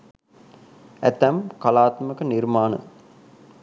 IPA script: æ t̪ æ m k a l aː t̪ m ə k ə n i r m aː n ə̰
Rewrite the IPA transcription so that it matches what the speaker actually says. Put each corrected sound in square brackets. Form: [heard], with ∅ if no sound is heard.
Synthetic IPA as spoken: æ t̪ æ m k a l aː t̪ m ə k ə n i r m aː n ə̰